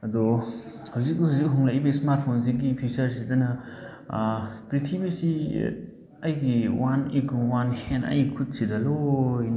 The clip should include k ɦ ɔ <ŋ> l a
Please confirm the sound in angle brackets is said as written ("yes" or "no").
yes